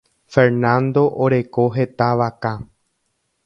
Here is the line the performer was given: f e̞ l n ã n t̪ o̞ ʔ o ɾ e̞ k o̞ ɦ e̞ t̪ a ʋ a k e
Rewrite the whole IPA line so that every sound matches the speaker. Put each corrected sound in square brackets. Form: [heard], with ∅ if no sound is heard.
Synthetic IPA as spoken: f e̞ [ɾ] n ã n [d̪] o̞ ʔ o ɾ e̞ k o̞ ɦ e̞ t̪ a ʋ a k [a]